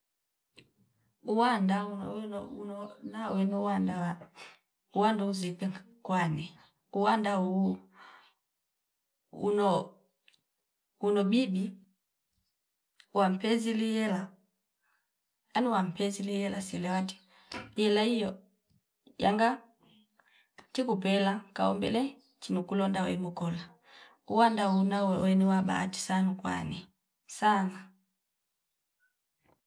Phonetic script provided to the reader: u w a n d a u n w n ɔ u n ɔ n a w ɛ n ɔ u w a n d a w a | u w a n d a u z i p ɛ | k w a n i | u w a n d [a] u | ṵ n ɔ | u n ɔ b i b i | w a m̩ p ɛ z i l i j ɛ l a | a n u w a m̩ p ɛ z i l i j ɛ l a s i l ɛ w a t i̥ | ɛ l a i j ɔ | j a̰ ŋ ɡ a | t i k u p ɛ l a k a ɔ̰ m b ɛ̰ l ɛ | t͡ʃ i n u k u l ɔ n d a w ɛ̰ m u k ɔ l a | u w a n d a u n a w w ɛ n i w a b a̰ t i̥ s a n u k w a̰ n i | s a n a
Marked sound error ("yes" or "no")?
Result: no